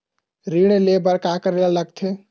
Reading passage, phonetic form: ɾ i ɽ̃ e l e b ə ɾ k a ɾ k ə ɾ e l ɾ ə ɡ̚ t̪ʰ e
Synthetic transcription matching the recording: ɾ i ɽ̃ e l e b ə ɾ k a k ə ɾ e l l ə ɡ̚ t̪ʰ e